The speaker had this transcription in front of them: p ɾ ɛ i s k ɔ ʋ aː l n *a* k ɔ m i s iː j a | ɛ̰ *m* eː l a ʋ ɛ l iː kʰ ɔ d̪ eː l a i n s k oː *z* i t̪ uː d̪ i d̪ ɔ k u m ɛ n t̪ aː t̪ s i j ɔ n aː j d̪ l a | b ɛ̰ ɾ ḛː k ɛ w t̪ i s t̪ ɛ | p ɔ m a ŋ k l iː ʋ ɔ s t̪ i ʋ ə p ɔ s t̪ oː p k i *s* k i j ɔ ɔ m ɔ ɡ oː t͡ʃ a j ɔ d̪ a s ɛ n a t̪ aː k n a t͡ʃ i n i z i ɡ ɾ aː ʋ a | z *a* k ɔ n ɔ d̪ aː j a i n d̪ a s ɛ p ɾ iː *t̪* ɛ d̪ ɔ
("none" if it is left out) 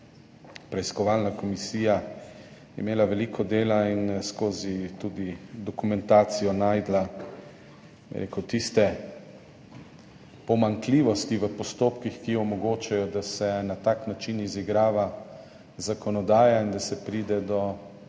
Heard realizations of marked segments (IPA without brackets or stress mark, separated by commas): a, m, z, x, a, d̪